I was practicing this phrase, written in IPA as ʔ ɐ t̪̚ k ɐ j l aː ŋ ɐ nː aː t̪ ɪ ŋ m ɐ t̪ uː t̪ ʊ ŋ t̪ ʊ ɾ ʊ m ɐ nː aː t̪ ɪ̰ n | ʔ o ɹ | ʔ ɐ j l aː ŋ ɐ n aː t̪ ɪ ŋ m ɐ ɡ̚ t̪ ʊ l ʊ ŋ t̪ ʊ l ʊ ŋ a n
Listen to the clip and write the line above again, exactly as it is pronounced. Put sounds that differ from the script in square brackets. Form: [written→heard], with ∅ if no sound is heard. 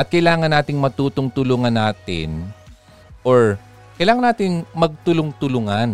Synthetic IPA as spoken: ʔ ɐ t̪̚ k ɐ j l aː ŋ ɐ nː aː t̪ ɪ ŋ m ɐ t̪ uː t̪ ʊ ŋ t̪ ʊ [ɾ→l] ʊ [m→ŋ] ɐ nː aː t̪ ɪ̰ n | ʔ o ɹ | [ʔ→k] ɐ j l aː ŋ ɐ n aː t̪ ɪ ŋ m ɐ ɡ̚ t̪ ʊ l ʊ ŋ t̪ ʊ l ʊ ŋ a n